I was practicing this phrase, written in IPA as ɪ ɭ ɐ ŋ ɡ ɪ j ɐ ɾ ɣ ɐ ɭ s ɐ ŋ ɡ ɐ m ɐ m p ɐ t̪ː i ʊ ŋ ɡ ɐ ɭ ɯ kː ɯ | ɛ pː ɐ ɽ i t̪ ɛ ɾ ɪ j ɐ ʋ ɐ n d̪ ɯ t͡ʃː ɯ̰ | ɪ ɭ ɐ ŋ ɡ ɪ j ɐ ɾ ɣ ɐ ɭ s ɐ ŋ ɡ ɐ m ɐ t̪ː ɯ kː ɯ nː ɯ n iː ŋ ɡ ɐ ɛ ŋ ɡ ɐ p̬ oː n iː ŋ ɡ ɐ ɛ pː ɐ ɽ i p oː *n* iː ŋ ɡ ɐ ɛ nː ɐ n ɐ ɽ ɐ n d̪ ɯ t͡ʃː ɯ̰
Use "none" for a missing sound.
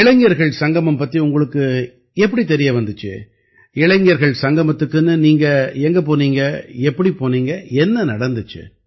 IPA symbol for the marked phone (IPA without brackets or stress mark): n